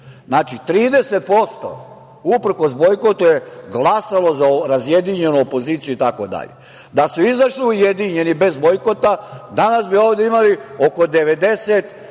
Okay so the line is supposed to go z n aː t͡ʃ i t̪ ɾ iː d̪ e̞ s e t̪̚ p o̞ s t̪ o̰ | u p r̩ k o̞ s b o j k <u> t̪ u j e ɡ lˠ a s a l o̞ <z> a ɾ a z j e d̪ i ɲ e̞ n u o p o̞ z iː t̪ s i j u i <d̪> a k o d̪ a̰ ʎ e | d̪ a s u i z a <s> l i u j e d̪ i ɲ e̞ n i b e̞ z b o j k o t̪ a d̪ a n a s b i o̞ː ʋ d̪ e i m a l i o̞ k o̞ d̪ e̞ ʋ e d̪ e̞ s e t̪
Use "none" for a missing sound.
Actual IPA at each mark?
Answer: o, z, t̪, ʃ

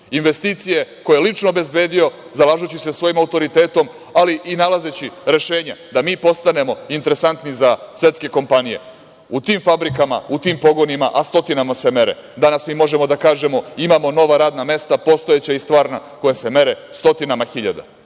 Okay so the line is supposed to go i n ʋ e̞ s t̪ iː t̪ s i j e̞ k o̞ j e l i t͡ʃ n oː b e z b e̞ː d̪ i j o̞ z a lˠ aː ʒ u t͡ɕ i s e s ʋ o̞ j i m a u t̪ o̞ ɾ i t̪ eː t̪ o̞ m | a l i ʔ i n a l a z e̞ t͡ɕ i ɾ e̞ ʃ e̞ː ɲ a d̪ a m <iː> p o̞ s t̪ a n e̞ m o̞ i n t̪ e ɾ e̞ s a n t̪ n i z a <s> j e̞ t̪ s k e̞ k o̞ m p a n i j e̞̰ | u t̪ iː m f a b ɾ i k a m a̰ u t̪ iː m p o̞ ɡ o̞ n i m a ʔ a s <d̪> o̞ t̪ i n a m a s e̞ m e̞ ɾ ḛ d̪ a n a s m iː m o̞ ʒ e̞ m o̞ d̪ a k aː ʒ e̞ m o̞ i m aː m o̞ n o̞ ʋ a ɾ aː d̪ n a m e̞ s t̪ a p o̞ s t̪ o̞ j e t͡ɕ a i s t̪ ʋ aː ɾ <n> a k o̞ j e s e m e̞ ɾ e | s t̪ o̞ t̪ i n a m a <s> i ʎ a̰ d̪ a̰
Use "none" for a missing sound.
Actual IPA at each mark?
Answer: iː, s, t̪, n, x

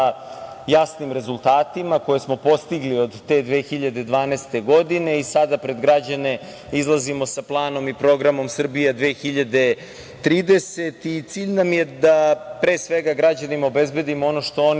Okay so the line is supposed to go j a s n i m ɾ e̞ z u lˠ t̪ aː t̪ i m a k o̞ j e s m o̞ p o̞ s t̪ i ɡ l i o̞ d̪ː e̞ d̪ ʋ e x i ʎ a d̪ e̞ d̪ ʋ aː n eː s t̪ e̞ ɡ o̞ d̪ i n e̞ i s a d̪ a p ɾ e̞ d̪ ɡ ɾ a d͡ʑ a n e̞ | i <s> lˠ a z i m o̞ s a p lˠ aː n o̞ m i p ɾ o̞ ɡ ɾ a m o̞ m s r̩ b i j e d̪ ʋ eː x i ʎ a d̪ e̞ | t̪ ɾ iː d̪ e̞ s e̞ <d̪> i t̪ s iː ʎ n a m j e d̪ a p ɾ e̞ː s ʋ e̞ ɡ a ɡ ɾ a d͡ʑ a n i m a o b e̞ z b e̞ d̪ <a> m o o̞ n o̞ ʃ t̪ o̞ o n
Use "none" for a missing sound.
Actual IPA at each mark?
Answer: z, t̪, i

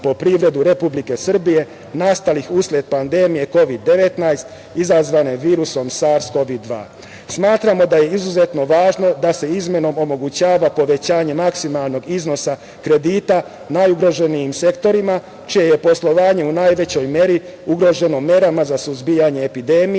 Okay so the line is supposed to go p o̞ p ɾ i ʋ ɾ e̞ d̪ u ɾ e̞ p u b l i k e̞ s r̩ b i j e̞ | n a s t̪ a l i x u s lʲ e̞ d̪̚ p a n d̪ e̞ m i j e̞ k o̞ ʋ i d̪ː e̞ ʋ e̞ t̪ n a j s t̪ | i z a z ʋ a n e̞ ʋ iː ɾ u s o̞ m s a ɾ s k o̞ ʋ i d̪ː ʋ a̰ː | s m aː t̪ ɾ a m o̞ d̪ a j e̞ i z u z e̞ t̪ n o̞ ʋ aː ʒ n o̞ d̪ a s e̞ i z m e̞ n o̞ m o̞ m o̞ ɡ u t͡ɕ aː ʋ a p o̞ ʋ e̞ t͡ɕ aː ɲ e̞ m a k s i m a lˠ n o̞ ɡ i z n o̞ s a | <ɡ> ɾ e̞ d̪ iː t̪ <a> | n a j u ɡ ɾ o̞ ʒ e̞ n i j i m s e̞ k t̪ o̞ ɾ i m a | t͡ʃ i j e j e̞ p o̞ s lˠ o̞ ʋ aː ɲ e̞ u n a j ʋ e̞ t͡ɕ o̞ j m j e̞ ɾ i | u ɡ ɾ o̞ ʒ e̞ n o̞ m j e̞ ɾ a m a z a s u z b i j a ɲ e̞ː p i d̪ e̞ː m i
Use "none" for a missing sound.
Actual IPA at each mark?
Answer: k, a

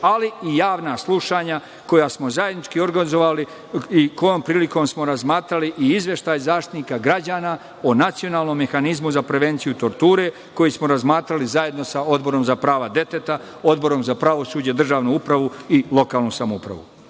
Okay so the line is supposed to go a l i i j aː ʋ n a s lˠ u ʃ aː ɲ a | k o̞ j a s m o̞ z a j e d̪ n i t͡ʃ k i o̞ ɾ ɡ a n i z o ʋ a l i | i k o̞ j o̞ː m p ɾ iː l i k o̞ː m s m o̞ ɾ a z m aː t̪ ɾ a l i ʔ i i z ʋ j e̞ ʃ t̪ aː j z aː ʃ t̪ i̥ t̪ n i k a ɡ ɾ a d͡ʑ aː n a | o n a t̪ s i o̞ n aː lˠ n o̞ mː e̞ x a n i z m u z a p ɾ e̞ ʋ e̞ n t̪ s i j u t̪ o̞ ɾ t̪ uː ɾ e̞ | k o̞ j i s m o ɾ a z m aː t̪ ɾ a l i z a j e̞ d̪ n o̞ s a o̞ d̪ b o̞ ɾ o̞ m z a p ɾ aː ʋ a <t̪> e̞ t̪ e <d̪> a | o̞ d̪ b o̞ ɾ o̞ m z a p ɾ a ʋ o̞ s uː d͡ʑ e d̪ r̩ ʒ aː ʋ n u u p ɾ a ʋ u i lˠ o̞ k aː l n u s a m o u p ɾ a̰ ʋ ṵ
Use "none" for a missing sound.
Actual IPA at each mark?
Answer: d̪, t̪

